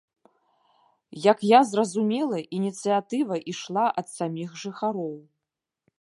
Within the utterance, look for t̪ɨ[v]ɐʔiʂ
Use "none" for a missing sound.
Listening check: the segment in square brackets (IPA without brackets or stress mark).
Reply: v